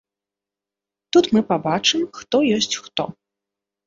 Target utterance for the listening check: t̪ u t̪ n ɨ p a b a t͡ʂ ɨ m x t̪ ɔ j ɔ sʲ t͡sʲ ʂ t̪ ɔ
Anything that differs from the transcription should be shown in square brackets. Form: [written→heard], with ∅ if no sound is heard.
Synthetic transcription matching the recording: t̪ u t̪ [n→m] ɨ p a b a t͡ʂ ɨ m x t̪ ɔ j ɔ sʲ t͡sʲ [ʂ→x] t̪ ɔ